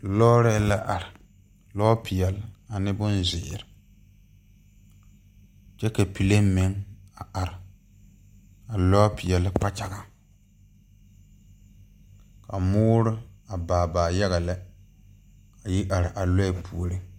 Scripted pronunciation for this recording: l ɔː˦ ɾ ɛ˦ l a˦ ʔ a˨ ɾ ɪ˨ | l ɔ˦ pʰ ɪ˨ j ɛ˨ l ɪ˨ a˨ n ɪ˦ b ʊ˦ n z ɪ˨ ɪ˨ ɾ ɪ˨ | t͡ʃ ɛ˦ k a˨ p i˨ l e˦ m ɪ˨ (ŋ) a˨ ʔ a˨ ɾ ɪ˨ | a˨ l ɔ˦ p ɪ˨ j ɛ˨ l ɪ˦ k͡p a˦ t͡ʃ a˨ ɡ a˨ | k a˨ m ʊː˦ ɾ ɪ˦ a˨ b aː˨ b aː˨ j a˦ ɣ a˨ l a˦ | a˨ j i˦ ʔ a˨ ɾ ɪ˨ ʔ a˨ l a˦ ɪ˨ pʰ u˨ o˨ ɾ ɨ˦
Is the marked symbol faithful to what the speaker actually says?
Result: yes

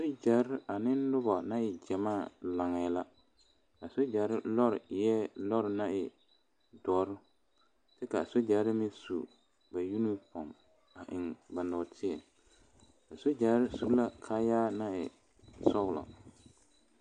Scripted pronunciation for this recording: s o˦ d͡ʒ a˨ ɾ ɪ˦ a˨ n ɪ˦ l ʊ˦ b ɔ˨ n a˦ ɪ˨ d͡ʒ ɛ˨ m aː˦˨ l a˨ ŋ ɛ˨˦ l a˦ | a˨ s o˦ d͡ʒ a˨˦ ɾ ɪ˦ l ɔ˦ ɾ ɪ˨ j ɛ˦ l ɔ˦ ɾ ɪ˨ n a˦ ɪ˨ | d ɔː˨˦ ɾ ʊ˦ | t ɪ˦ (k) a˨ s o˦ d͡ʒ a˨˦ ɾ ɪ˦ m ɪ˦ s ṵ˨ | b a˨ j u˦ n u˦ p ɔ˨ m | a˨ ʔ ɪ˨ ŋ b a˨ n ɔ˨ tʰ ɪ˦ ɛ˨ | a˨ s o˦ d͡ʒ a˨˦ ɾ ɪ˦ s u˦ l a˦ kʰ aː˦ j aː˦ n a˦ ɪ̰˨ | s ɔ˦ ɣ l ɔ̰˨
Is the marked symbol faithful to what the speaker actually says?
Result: yes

